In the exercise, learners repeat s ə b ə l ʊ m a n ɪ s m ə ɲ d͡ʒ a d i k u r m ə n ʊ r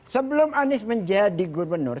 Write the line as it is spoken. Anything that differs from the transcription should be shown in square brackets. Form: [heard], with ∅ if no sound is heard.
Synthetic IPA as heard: s ə b ə l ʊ m a n ɪ s m ə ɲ d͡ʒ a d i [ɡ] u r [b] ə n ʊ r